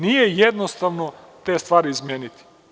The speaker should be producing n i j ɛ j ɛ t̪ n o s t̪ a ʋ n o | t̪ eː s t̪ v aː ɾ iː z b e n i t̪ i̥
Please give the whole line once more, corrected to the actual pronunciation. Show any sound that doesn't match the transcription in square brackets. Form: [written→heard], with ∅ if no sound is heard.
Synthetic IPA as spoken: n i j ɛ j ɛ [t̪→d̪] n o s t̪ a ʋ n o | t̪ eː s t̪ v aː ɾ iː z [b→m] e n i t̪ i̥